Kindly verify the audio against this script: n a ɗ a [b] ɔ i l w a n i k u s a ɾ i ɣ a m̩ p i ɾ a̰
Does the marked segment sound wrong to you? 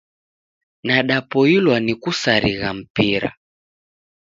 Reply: yes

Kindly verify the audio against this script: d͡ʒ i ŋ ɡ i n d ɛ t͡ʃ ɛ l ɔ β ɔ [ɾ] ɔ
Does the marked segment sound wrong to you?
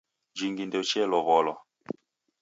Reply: yes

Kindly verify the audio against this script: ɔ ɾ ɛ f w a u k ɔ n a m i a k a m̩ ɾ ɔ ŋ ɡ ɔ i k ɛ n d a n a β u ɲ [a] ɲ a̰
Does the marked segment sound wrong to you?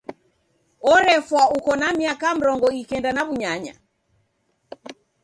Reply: no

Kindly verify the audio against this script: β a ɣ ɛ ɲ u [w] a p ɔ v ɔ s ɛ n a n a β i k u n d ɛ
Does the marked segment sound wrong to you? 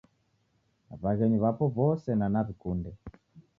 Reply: yes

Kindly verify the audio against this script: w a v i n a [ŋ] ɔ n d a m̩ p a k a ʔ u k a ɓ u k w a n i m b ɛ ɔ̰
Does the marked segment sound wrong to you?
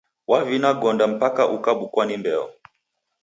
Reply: yes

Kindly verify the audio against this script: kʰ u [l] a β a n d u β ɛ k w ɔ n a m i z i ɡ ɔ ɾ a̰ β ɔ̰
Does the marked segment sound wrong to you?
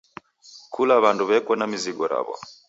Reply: no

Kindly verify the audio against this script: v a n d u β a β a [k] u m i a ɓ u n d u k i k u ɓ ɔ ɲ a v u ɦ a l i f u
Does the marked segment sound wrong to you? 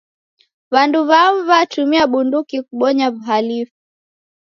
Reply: yes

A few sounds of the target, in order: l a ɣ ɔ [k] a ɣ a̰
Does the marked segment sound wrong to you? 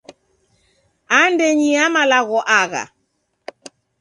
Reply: yes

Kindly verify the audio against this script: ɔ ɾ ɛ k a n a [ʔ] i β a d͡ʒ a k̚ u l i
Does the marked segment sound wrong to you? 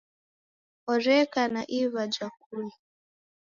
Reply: no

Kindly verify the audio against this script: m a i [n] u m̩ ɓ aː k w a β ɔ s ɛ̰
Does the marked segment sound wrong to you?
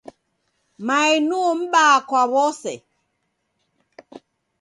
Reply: no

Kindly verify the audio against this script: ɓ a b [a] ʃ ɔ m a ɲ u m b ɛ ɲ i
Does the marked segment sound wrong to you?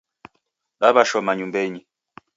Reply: no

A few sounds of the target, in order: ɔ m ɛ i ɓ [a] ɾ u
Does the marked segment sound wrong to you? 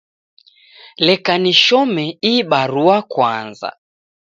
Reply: no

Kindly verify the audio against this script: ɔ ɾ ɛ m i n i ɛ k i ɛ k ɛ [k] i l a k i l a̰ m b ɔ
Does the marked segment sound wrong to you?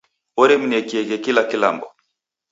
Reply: no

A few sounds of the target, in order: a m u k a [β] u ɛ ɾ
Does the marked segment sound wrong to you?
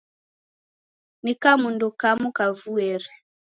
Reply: yes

